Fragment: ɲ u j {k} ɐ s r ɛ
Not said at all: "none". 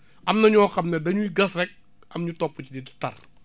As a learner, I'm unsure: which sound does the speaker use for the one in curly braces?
ɡ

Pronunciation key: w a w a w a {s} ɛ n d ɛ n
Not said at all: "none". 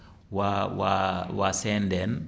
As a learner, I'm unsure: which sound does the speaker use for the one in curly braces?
s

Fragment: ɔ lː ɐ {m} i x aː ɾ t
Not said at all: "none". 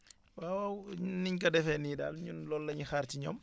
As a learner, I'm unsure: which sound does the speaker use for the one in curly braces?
ɲ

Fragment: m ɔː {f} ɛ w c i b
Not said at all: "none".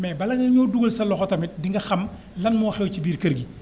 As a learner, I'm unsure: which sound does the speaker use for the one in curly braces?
x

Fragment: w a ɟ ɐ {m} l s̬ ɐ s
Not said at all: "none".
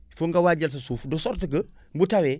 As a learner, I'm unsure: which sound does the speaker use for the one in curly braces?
none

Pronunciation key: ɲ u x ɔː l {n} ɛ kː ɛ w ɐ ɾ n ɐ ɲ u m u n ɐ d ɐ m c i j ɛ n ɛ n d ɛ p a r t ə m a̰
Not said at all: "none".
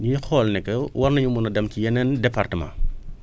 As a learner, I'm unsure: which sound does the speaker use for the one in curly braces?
n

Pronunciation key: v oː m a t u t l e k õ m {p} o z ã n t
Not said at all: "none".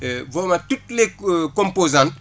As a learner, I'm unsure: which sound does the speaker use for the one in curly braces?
p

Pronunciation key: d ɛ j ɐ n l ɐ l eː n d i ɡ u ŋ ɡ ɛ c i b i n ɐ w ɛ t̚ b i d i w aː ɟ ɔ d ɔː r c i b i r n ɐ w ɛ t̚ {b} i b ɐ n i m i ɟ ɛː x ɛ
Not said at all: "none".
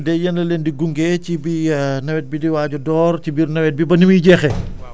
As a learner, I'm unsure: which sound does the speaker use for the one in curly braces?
b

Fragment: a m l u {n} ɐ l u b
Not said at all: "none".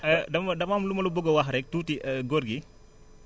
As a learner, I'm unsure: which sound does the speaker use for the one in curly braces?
m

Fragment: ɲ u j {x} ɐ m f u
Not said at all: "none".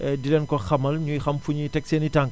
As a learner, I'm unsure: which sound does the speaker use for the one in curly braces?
x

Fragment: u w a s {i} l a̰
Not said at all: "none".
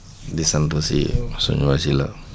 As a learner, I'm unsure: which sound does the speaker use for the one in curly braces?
i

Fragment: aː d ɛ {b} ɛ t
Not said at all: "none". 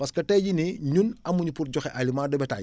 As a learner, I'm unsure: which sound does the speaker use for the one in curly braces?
b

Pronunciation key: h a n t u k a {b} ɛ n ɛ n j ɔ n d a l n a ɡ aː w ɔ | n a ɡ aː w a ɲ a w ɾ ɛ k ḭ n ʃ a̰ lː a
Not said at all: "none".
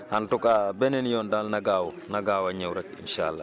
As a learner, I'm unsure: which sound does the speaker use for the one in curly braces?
b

